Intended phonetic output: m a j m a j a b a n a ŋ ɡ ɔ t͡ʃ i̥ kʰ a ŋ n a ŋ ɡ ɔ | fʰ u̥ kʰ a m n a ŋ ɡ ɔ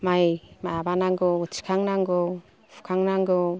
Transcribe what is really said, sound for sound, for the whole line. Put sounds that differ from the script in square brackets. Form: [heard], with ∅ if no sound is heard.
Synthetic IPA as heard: m a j m a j a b a n a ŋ ɡ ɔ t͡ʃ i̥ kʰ a ŋ n a ŋ ɡ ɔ | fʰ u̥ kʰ a [ŋ] n a ŋ ɡ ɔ